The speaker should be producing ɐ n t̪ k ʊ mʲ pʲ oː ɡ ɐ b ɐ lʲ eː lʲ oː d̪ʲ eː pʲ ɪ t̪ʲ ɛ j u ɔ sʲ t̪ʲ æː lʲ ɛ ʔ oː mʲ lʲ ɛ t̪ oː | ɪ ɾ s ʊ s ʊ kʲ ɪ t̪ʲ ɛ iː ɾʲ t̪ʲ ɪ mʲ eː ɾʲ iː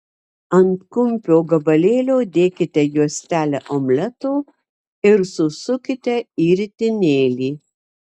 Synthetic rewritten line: ɐ n t̪ k ʊ mʲ pʲ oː ɡ ɐ b ɐ lʲ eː lʲ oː d̪ʲ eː kʲ ɪ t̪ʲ ɛ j u ɔ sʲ t̪ʲ æː lʲ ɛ ʔ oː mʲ lʲ ɛ t̪ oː | ɪ ɾ s ʊ s ʊ kʲ ɪ t̪ʲ ɛ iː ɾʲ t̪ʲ ɪ nʲ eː lʲ iː